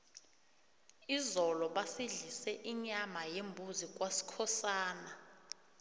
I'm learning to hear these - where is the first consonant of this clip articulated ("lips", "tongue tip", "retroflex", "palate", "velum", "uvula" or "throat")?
tongue tip